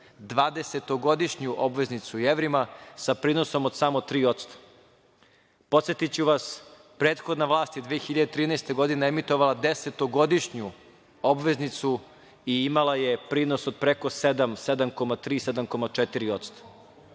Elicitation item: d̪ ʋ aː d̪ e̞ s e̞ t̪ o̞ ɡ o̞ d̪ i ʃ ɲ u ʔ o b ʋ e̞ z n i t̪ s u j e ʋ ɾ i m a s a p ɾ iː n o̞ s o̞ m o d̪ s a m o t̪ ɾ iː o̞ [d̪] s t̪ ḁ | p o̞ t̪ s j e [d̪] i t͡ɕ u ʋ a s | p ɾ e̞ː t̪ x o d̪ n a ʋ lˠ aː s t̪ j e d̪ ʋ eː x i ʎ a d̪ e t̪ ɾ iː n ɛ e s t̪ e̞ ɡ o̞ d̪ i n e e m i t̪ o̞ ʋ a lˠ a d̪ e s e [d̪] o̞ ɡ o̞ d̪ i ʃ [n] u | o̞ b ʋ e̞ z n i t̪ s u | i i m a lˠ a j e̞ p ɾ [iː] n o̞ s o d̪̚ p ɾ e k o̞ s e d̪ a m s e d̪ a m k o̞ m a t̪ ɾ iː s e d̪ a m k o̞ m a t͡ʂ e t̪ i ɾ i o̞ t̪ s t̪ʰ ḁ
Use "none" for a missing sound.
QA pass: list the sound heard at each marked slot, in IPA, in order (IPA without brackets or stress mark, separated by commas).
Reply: t̪, t̪, t̪, ɲ, iː